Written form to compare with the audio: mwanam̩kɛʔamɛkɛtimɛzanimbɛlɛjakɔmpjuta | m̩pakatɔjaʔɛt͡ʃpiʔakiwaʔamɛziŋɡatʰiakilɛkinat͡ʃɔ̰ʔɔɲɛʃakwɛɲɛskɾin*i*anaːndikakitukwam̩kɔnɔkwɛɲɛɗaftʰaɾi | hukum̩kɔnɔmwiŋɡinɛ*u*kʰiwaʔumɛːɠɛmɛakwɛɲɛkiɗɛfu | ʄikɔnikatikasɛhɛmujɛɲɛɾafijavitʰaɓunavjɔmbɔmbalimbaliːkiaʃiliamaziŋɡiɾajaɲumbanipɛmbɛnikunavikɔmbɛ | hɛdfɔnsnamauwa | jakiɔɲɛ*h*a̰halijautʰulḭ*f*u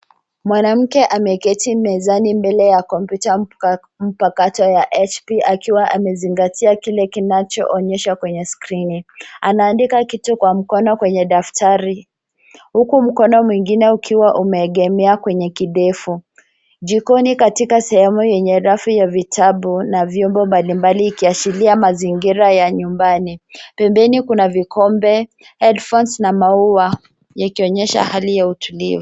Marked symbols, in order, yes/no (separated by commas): yes, yes, no, no